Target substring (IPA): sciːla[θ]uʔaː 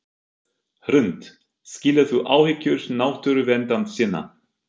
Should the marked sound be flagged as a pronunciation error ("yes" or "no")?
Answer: no